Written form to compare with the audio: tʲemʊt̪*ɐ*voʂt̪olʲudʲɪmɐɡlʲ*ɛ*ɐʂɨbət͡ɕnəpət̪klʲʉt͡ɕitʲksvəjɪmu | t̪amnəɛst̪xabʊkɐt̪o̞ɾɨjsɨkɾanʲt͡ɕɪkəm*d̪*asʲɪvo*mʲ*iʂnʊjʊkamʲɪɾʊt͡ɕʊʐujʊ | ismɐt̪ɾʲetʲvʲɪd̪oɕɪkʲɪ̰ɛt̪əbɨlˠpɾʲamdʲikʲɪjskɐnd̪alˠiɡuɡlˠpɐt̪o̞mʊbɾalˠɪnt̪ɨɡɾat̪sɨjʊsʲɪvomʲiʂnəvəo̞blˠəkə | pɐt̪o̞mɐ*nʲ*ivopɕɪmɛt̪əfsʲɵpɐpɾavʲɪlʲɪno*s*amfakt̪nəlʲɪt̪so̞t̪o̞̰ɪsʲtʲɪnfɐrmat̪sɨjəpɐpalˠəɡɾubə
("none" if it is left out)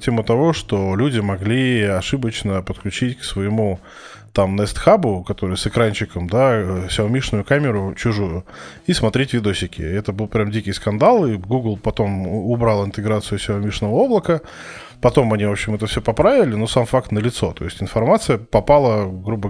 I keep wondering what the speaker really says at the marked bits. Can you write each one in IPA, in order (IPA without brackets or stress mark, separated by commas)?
ɐ, i, d̪, mʲ, nʲ, s